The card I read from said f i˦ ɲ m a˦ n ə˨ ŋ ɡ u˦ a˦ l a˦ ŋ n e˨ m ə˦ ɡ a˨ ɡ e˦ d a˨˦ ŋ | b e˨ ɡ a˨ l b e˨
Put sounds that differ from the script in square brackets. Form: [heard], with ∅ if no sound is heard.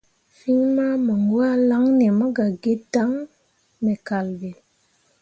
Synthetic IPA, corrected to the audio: f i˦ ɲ m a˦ [m] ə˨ ŋ ɡ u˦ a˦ l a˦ ŋ n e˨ m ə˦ ɡ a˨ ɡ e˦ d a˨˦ ŋ | [m] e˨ [k] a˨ l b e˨